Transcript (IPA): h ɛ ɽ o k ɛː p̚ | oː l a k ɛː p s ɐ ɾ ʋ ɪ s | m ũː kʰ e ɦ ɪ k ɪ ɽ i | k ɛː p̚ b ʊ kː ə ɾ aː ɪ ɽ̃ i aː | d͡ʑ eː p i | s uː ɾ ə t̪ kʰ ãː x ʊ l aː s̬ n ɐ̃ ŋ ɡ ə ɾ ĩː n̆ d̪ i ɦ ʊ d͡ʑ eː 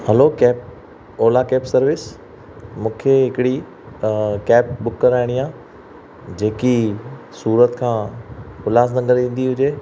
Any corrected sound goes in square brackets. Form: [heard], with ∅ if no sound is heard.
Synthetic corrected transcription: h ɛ [l] o k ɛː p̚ | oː l a k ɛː p s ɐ ɾ ʋ ɪ s | m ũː kʰ e ɦ ɪ k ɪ ɽ i | k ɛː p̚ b ʊ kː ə ɾ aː ɪ ɽ̃ i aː | d͡ʑ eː [k] i | s uː ɾ ə t̪ kʰ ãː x ʊ l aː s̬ n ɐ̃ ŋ ɡ ə ɾ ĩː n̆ d̪ i ɦ ʊ d͡ʑ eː